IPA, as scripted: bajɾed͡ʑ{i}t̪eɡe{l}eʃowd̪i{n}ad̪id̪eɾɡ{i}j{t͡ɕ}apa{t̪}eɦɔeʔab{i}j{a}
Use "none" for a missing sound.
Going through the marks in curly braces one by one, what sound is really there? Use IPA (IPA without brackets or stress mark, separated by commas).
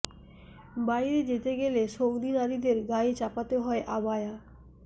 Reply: e, l, n, a, t͡ɕ, t̪, a, a